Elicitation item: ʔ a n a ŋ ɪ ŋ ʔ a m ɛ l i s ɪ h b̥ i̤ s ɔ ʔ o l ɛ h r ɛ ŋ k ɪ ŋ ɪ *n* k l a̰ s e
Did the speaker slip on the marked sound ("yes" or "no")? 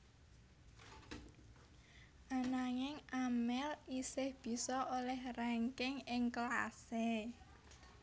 yes